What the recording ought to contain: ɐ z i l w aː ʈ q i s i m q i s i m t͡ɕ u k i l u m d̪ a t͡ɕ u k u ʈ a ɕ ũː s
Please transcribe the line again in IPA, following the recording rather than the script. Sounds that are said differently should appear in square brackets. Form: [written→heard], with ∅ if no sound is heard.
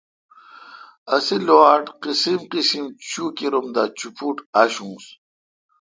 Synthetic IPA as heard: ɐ [z→s] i l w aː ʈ q i s i m q i s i m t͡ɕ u k i [l→ɾ] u m d̪ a t͡ɕ u [k→p] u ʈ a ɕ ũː s

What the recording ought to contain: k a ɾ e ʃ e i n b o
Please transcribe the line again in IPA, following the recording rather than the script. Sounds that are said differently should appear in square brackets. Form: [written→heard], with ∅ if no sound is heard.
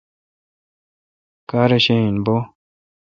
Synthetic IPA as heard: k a ɾ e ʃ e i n b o

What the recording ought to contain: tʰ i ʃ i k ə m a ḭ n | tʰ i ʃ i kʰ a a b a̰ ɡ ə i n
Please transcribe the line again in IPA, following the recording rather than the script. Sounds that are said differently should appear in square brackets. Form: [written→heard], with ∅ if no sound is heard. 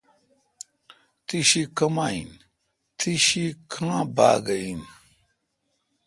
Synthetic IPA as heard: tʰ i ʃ i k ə m a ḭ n | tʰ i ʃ i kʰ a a b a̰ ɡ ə i n

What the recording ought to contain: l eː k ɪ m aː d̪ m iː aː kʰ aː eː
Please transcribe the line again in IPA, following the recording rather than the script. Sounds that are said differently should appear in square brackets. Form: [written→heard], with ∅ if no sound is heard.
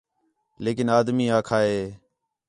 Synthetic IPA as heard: l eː k ɪ [m→n] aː d̪ m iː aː kʰ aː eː

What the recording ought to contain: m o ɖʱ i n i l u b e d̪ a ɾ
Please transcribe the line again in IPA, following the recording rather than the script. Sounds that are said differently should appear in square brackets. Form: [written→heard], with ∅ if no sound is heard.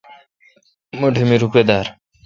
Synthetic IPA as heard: m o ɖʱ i [n→m] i [l→ɾ] u [b→p] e d̪ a ɾ

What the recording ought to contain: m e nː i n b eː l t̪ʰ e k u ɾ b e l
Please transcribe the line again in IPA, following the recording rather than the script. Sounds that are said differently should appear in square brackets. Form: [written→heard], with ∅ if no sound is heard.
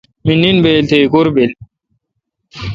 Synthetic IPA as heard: m [e→i] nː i n b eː l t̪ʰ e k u ɾ b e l

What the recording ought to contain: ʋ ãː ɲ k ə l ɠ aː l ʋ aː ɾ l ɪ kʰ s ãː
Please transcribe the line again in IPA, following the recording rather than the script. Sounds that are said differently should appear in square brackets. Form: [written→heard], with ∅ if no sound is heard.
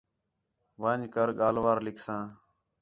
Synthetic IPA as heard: ʋ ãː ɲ k ə [l→ɾ] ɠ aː l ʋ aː ɾ l ɪ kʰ s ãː

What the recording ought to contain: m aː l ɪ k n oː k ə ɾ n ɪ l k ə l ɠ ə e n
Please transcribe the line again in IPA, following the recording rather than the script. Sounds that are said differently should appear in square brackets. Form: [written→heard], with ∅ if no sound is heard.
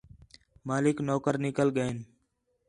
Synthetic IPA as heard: m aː l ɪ k n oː k ə ɾ n ɪ [l→∅] k ə l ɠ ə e n

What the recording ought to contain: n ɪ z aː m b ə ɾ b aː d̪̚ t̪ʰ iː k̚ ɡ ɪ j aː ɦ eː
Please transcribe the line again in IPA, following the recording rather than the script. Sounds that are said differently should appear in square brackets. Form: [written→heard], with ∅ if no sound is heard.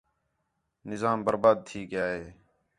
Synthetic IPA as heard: n ɪ z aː m b ə ɾ b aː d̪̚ t̪ʰ iː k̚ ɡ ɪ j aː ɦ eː

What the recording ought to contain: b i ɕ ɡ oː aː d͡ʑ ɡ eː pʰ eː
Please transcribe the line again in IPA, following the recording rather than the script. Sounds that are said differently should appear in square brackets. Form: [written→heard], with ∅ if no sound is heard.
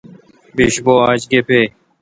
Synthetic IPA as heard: b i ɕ [ɡ→b] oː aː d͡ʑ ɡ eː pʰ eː

